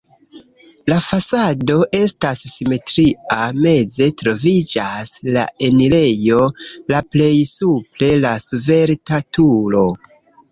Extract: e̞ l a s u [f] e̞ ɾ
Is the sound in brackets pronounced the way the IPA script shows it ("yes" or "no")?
no